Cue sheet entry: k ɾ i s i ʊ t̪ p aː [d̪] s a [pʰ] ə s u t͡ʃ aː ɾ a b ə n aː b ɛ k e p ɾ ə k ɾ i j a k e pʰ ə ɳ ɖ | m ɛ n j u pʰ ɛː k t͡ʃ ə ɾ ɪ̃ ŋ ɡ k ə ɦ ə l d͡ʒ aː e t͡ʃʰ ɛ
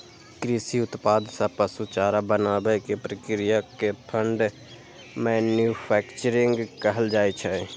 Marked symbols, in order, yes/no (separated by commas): yes, no